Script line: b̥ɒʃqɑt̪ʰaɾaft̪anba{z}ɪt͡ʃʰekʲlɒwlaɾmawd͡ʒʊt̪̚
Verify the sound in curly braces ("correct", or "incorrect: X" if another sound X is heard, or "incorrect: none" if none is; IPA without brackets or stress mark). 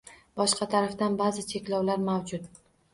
correct